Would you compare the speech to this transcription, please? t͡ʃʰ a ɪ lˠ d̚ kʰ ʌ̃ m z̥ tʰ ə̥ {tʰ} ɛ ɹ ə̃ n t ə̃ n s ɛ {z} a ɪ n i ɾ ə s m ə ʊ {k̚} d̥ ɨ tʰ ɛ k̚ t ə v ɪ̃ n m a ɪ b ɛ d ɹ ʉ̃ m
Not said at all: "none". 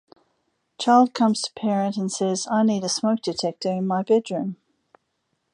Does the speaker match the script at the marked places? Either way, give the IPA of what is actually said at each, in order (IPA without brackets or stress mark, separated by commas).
pʰ, z, k̚